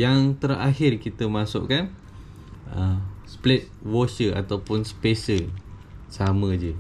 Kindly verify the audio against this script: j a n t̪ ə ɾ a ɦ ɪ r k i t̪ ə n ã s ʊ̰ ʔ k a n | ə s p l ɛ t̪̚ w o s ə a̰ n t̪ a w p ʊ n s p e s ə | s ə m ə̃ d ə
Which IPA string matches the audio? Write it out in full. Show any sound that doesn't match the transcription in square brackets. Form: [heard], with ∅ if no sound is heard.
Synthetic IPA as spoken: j a [ŋ] t̪ ə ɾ a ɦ ɪ r k i t̪ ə [m] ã s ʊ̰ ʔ k a n | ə s p l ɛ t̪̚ w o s ə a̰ [∅] t̪ a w p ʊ n s p e s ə | s [a] m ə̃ [d͡ʒ] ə